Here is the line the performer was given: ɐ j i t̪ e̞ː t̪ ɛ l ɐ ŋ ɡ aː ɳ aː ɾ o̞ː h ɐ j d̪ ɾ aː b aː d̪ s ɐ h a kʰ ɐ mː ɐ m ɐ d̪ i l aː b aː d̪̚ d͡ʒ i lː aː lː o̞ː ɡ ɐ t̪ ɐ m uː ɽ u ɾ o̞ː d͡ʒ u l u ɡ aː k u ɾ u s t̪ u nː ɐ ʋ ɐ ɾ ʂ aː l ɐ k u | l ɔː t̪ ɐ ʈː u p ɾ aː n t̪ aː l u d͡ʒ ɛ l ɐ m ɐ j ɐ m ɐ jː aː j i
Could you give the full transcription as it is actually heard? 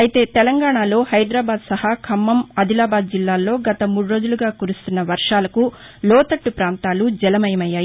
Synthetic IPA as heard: ɐ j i t̪ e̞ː t̪ ɛ l ɐ ŋ ɡ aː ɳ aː l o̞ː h ɐ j d̪ ɾ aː b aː d̪ s ɐ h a kʰ ɐ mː ɐ m ɐ d̪ i l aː b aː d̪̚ d͡ʒ i lː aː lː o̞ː ɡ ɐ t̪ ɐ m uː ɽ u ɾ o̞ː d͡ʒ u l u ɡ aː k u ɾ u s t̪ u nː ɐ ʋ ɐ ɾ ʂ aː l ɐ k u | l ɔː t̪ ɐ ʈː u p ɾ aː n t̪ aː l u d͡ʒ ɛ l ɐ m ɐ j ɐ m ɐ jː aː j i